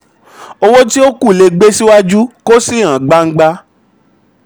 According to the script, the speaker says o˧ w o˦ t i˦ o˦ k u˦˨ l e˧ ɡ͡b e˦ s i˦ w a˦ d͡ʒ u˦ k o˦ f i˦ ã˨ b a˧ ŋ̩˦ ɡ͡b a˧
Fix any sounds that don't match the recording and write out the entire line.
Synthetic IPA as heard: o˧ w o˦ t i˦ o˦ k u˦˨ l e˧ ɡ͡b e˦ s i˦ w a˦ d͡ʒ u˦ k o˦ s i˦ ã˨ ɡ͡b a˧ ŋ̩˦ ɡ͡b a˧